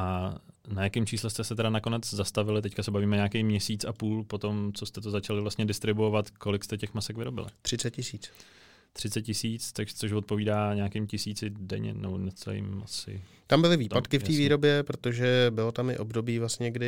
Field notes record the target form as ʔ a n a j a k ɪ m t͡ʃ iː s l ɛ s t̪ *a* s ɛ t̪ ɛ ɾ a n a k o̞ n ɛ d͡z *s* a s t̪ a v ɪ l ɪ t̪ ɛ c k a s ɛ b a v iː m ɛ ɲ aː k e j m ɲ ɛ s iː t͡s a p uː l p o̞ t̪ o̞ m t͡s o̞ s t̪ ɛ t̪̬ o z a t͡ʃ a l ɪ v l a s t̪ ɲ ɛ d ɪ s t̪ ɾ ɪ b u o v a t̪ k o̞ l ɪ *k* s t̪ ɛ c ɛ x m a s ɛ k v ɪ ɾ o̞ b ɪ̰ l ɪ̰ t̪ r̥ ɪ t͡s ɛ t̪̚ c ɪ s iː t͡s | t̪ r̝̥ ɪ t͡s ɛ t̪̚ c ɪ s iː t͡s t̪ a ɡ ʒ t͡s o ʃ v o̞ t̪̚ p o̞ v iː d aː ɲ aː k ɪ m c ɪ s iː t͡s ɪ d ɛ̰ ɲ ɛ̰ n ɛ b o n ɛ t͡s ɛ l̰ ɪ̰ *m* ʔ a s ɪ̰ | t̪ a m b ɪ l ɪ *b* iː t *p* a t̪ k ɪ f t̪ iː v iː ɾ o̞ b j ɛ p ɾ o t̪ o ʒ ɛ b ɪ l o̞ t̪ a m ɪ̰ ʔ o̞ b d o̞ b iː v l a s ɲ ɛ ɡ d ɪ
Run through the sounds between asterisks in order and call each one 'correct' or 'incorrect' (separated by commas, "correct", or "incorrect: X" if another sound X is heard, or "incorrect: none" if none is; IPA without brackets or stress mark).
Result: incorrect: ɛ, incorrect: z, correct, correct, incorrect: v, correct